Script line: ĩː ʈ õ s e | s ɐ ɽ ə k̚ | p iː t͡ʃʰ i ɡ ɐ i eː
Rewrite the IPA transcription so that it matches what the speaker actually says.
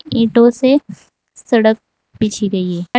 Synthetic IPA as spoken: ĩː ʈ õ s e | s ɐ ɽ ə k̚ | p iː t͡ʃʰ i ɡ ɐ i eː